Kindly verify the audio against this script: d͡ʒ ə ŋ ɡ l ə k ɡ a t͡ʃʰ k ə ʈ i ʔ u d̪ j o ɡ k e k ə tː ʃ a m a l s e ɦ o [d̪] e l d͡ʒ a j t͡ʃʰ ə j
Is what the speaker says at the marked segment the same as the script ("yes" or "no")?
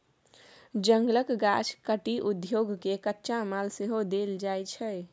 yes